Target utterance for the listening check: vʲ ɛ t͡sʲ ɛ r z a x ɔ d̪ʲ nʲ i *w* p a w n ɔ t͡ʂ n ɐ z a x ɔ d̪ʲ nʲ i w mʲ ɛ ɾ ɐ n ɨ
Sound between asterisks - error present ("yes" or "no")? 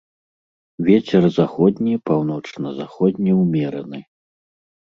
yes